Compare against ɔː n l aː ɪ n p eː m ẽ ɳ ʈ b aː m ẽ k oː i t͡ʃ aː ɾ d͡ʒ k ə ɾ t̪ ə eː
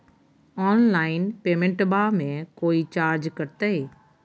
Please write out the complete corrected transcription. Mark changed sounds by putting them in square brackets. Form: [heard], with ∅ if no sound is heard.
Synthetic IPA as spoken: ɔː n l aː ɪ n p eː m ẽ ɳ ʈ b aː m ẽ k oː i t͡ʃ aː ɾ d͡ʒ k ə ɾ t̪ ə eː